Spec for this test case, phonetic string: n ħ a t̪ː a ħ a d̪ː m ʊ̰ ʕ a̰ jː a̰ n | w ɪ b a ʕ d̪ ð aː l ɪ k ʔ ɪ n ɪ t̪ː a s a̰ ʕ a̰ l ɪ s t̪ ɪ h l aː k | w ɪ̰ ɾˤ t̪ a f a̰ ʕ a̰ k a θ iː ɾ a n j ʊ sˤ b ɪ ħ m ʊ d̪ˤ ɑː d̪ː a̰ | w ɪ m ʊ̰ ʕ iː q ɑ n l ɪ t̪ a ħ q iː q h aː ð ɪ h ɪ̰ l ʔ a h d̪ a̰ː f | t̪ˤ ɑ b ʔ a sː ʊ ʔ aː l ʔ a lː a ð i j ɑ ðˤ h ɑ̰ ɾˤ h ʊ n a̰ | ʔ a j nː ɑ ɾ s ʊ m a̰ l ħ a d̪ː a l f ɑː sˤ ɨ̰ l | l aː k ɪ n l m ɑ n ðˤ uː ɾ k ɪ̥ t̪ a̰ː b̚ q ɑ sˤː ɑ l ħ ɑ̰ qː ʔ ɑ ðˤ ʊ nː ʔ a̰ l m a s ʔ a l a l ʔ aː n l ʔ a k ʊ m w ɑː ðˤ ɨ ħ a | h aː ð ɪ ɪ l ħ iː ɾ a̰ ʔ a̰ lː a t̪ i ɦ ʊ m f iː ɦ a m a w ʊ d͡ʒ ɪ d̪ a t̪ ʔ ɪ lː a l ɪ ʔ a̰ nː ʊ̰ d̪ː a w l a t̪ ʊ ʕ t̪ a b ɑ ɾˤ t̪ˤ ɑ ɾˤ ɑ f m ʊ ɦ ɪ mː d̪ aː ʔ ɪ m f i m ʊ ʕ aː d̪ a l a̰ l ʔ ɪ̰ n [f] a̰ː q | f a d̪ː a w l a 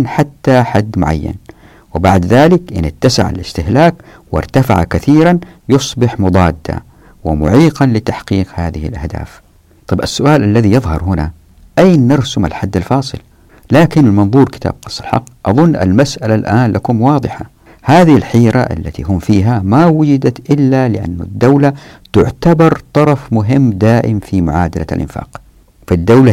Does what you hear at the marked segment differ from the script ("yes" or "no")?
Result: no